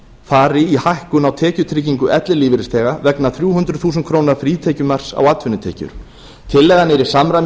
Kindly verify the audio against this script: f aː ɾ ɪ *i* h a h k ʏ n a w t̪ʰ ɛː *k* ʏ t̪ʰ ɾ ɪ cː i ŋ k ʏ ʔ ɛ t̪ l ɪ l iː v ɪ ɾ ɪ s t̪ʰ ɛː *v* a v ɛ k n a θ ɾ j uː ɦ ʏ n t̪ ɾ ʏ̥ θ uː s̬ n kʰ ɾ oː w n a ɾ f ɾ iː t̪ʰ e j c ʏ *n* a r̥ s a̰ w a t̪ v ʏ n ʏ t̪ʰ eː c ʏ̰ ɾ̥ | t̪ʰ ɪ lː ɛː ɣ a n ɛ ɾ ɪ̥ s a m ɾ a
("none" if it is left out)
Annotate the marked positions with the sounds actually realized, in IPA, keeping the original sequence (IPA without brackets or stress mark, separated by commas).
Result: i, c, ɣ, m